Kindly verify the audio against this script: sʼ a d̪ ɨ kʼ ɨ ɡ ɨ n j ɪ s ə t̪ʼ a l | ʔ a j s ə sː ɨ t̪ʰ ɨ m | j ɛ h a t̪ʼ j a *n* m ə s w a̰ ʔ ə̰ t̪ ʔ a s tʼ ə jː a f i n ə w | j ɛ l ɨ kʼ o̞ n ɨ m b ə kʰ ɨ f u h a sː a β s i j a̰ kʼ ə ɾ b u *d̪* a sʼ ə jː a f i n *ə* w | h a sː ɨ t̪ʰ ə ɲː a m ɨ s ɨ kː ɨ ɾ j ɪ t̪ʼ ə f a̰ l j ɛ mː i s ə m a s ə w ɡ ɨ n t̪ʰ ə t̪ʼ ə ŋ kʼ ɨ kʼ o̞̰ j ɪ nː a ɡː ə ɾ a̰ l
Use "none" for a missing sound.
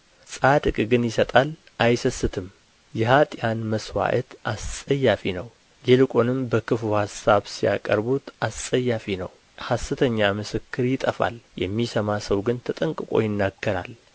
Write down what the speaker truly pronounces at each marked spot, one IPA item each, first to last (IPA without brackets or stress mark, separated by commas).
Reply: n, t̪, ə